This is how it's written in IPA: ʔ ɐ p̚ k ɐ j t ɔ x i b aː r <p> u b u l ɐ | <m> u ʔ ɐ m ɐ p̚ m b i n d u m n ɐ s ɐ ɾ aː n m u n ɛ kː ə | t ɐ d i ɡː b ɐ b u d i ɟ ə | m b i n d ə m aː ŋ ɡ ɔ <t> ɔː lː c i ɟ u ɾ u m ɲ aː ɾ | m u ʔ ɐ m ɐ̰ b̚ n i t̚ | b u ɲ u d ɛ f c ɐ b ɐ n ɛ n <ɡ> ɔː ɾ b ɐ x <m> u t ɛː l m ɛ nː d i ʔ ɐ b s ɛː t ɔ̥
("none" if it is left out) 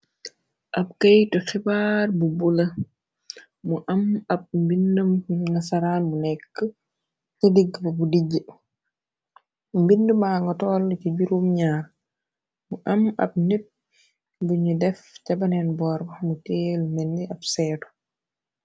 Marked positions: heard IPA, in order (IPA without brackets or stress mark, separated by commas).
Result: b, m, t, b, m